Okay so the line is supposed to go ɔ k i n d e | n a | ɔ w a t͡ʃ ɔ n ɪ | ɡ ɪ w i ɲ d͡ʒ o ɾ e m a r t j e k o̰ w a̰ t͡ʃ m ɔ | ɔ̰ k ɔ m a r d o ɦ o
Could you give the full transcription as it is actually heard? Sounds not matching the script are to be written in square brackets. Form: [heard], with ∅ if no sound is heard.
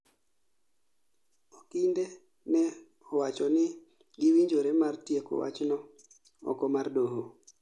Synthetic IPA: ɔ k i n d e | n [ɛ] | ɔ w a t͡ʃ ɔ n ɪ | ɡ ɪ w i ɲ d͡ʒ o ɾ e m a r t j e k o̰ w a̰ t͡ʃ [n] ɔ | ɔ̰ k ɔ m a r d o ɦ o